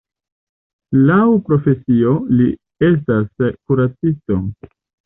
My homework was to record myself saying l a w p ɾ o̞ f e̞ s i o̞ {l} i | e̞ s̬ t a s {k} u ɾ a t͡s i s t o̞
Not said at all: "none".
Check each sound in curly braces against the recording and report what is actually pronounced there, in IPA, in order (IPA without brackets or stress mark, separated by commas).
l, k